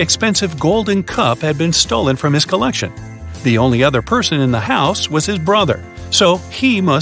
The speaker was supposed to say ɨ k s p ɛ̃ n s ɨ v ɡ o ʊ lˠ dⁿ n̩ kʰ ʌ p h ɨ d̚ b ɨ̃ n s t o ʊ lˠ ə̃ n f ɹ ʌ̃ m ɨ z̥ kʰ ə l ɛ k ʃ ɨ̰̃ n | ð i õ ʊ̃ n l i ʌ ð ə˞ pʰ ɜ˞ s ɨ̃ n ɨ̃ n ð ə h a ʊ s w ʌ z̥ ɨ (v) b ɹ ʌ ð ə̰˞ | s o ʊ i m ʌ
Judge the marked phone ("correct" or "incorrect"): incorrect